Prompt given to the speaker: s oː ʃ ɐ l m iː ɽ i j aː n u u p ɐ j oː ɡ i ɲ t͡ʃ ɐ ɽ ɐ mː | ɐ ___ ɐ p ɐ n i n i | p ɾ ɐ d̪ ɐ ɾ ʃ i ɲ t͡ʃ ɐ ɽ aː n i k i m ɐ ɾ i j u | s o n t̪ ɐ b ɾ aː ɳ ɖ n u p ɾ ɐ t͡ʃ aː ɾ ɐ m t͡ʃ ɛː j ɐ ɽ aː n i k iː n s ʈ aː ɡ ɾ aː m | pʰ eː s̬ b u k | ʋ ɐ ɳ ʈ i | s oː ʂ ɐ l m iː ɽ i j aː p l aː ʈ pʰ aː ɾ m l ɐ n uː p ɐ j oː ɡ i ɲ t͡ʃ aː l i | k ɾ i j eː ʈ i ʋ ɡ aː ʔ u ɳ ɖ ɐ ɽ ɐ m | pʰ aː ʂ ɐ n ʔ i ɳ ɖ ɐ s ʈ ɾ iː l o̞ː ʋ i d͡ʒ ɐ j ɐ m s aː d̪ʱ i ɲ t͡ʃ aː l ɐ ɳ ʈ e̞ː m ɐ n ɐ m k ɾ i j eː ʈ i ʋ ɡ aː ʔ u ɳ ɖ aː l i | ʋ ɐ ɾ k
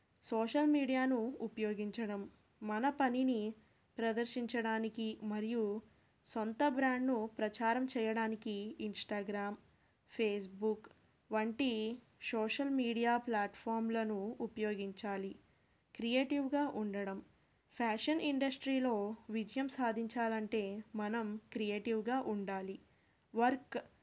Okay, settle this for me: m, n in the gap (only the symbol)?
n